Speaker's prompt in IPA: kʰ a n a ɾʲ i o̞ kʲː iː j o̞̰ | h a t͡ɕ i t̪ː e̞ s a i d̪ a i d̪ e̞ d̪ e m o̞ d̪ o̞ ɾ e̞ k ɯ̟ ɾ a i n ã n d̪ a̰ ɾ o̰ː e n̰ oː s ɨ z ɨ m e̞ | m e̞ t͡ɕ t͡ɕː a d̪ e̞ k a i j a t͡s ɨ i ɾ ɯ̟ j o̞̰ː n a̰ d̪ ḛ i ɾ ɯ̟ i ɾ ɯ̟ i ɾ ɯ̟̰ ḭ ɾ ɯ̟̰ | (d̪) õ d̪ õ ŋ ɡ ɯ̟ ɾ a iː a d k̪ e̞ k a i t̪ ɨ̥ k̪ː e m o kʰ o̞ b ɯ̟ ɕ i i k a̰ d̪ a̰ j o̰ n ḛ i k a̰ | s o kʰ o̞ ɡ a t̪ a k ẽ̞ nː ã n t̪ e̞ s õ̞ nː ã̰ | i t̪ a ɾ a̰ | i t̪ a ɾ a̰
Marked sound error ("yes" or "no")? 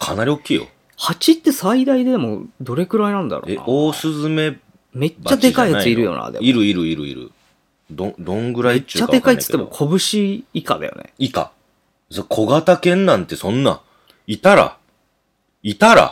no